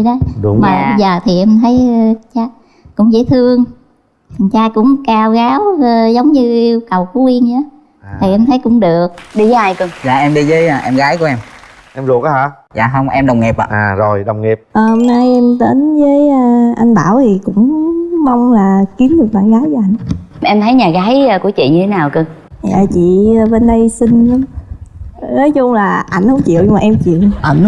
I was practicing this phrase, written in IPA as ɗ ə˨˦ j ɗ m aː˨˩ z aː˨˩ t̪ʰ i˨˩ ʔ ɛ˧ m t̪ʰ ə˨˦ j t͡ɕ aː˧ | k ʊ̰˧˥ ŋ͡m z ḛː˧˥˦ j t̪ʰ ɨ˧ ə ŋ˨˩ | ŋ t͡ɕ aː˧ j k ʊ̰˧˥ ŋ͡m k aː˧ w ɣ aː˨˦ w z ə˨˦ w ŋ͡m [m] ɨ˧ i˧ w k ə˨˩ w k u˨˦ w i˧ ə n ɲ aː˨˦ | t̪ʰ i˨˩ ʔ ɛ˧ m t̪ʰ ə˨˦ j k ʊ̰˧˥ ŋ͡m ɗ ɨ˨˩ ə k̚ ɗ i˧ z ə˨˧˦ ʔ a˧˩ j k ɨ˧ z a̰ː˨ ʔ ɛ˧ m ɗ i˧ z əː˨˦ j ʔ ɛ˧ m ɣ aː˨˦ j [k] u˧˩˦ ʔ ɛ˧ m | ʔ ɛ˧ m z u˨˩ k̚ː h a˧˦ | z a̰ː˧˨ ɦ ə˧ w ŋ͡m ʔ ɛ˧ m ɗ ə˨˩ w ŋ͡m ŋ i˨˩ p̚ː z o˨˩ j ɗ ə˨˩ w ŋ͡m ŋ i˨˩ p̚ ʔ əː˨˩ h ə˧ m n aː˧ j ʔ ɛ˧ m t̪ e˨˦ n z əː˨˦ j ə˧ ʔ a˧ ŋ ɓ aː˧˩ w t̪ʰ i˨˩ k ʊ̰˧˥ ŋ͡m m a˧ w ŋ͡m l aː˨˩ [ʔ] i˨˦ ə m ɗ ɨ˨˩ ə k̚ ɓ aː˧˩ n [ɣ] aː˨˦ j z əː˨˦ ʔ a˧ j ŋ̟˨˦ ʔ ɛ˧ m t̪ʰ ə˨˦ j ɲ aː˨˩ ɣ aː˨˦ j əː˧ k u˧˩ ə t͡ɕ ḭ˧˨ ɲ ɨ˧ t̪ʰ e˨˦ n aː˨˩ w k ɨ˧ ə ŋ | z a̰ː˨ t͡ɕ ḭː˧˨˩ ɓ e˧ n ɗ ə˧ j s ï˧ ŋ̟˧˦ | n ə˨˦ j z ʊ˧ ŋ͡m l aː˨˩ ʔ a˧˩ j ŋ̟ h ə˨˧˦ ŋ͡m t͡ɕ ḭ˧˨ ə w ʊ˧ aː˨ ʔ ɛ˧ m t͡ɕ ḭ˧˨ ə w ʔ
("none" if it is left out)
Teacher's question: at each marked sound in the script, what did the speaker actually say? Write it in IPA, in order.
ɲ, k, k, ɣ

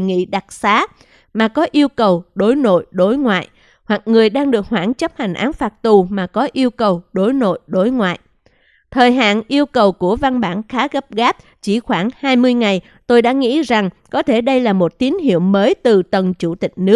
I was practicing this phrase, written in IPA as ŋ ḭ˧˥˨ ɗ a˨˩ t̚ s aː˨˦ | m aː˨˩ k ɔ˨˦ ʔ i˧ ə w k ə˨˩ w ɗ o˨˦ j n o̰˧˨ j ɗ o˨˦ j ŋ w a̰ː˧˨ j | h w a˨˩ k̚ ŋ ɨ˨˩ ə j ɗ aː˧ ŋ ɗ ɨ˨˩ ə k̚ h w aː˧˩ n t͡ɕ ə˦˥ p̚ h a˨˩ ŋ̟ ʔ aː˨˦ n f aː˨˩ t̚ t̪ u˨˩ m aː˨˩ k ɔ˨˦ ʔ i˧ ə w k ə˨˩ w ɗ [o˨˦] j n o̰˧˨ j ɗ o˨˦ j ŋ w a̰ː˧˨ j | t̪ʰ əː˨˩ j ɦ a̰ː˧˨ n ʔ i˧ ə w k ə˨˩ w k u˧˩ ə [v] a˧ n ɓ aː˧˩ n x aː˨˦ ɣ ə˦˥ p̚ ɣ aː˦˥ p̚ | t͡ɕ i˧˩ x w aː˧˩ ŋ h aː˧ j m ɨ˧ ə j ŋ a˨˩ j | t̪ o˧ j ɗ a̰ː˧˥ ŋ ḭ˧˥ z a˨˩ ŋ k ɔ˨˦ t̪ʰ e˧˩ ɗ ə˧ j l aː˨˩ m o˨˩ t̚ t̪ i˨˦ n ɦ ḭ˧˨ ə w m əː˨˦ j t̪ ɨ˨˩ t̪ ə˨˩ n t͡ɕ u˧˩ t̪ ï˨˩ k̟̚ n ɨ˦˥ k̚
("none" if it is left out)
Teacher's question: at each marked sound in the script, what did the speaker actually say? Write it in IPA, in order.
o˨˦, v

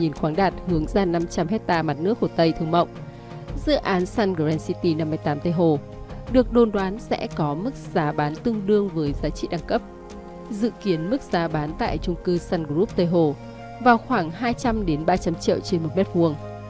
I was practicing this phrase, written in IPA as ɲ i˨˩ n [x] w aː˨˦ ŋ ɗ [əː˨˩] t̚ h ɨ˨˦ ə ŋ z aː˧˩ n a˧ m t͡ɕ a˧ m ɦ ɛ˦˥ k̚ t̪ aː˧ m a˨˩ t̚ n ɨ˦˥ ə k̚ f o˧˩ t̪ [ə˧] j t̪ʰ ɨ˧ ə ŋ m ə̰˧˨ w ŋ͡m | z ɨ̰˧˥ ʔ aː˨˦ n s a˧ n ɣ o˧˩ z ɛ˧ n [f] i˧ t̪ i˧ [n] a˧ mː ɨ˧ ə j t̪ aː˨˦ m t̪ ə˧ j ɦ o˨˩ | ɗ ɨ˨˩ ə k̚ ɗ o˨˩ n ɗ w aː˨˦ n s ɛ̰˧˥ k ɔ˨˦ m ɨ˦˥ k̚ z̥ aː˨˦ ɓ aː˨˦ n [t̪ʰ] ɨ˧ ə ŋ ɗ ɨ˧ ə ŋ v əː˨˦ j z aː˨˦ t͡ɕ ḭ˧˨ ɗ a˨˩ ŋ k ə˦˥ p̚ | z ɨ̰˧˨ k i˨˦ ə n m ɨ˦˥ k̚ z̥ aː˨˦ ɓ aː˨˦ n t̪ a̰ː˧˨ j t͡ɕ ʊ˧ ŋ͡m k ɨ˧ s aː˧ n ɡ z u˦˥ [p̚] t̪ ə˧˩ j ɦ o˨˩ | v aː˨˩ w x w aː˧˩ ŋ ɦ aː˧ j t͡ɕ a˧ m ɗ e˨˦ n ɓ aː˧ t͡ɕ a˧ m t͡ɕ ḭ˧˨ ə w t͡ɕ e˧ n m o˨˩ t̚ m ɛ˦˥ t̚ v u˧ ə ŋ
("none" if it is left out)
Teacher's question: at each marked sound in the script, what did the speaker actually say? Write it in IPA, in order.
x, aː˨˩, ə˧, s, n, t̪, p̚

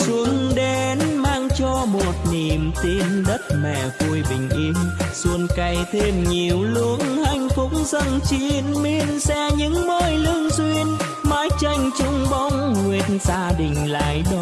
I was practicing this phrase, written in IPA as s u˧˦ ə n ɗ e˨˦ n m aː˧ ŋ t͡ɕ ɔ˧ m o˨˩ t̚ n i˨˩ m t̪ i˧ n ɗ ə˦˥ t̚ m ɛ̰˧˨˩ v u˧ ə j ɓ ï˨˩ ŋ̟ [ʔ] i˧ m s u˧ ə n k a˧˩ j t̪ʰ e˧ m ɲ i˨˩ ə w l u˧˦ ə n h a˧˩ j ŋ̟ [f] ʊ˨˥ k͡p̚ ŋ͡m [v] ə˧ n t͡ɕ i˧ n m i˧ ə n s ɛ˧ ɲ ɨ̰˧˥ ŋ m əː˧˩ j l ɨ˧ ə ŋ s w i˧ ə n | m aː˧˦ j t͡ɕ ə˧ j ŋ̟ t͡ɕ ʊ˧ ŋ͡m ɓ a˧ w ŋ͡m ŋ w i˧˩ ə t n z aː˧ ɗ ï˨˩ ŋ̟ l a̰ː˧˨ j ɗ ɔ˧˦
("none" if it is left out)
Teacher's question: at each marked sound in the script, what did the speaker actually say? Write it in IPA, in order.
ʔ, f, z

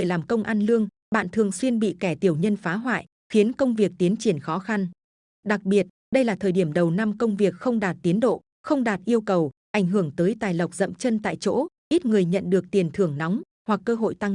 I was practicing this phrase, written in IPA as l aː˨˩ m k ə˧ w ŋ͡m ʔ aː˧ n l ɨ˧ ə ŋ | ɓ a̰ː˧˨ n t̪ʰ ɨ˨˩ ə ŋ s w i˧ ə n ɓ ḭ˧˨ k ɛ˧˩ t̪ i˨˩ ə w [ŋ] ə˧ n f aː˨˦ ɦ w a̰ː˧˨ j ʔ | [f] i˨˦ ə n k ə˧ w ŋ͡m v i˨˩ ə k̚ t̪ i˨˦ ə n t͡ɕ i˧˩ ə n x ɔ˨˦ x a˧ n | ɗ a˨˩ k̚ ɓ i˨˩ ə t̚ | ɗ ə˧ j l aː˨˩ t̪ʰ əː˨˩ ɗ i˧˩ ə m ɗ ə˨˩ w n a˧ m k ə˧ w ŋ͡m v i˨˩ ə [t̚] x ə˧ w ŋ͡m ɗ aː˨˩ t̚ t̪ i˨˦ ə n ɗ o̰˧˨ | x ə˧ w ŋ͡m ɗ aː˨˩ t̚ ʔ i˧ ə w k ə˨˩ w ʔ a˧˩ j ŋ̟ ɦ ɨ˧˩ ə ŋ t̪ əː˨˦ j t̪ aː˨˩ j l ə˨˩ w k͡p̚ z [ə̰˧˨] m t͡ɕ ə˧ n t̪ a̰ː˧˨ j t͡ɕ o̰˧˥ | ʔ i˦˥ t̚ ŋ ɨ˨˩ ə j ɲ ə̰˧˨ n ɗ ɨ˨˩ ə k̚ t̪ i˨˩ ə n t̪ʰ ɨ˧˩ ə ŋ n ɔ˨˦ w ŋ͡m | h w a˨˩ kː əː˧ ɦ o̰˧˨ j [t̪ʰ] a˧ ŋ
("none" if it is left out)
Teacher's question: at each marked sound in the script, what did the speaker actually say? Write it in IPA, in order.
ɲ, x, k̚, ə̰˧˨, t̪

